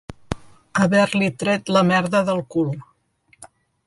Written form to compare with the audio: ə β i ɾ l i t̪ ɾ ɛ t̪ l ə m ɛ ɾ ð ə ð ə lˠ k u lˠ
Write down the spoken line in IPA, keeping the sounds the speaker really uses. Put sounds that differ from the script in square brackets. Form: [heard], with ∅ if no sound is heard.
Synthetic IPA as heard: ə β [ɛ] ɾ l i t̪ ɾ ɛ t̪ l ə m ɛ ɾ ð ə ð ə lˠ k u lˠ